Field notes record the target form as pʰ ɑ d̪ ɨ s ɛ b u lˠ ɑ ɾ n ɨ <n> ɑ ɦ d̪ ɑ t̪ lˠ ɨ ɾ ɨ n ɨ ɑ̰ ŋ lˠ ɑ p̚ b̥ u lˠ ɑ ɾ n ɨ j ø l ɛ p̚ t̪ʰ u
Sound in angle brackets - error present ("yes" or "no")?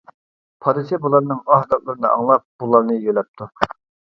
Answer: yes